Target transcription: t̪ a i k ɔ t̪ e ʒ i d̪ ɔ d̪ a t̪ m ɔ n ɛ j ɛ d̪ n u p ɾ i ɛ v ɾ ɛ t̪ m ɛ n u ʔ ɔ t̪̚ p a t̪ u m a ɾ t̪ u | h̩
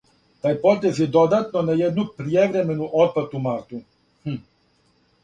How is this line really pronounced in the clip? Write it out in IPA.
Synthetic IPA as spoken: t̪ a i p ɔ t̪ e z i d̪ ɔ d̪ a t̪ n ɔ n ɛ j ɛ d̪ n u p ɾ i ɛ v ɾ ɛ m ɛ n u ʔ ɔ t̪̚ p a t̪ u m a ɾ t̪ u | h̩